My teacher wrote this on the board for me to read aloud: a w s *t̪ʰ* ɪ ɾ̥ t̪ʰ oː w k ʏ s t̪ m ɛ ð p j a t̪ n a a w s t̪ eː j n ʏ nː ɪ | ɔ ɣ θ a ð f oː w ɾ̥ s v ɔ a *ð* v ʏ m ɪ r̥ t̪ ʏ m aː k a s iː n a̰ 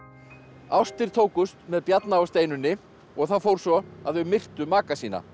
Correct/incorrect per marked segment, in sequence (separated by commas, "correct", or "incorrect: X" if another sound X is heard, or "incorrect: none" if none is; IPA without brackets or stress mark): incorrect: t̪, correct